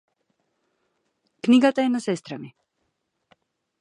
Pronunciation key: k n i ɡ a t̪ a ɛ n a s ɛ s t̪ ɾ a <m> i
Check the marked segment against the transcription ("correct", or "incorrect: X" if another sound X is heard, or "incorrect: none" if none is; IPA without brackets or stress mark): correct